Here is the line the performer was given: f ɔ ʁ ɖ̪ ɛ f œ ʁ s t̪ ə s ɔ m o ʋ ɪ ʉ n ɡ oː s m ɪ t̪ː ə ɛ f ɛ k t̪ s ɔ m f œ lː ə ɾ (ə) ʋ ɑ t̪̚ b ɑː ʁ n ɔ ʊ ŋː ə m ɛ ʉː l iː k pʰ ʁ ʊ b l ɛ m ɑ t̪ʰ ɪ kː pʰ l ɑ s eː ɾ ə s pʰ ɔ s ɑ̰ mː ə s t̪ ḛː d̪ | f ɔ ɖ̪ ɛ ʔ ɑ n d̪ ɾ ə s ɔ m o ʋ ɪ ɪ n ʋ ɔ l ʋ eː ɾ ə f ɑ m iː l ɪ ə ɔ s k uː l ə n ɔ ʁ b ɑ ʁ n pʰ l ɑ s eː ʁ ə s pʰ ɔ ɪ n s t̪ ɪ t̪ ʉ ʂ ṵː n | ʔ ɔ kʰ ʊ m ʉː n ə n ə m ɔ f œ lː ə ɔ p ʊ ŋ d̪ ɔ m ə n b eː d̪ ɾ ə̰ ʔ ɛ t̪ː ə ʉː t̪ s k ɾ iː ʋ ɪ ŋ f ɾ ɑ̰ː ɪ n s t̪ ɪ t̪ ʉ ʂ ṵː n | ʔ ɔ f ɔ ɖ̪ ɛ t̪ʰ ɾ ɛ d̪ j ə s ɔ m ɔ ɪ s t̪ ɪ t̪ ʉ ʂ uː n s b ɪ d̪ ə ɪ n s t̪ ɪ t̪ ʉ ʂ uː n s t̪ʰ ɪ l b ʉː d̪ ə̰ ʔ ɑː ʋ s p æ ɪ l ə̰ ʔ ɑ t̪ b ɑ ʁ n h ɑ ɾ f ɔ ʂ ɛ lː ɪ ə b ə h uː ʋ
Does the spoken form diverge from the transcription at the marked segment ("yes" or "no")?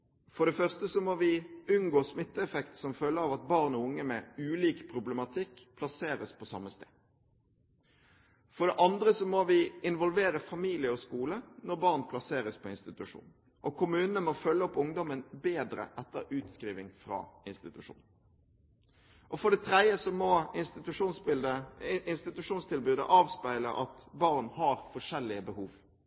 yes